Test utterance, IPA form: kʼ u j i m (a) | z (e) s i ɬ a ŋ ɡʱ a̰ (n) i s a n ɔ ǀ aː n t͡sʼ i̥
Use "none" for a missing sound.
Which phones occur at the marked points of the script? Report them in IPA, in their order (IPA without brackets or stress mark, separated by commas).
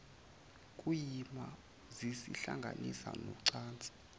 a, i, n